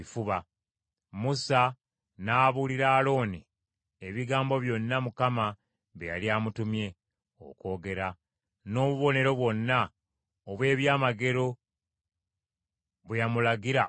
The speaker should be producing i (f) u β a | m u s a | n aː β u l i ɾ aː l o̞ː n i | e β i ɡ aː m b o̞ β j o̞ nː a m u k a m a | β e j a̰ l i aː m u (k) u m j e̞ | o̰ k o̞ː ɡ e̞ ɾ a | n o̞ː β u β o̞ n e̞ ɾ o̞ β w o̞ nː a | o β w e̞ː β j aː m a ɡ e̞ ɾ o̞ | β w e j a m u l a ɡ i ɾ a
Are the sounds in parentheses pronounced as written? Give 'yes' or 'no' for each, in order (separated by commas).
yes, no